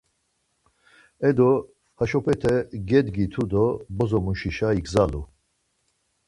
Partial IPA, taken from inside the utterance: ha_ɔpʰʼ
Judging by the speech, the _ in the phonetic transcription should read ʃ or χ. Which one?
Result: ʃ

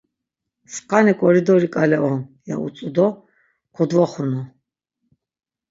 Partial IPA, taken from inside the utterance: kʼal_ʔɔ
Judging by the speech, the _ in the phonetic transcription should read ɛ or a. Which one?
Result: ɛ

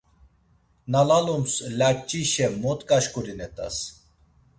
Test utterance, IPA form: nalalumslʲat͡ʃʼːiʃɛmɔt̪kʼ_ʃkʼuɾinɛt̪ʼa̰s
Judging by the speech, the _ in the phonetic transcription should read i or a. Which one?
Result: a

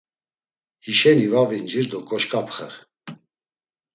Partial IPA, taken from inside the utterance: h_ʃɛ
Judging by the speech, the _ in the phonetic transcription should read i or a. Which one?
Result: i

